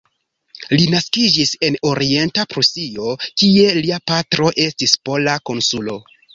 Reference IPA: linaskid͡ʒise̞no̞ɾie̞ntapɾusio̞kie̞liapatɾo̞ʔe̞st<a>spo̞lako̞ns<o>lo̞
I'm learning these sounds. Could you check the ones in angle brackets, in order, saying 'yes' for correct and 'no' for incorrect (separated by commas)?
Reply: no, no